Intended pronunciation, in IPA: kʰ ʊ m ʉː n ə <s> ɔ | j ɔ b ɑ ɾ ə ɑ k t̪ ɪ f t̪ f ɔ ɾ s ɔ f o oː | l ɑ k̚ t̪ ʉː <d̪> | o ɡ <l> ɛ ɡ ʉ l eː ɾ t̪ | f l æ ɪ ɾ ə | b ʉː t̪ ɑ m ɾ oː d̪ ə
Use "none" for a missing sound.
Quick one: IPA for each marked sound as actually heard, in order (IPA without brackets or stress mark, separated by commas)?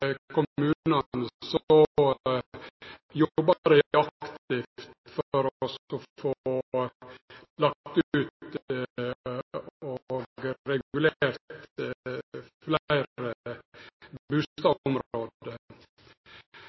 s, t̪, ɾ